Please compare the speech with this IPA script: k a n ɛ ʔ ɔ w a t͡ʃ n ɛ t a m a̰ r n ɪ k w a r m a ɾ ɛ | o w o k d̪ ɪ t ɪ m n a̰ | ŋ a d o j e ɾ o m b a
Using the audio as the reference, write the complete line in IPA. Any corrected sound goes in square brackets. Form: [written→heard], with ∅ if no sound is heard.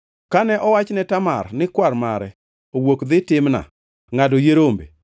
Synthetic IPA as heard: k a n ɛ ʔ ɔ w a t͡ʃ n ɛ t a m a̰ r n ɪ k w a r m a ɾ ɛ | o w o k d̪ ɪ t ɪ m n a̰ | ŋ a d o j e ɾ o m b [a→e]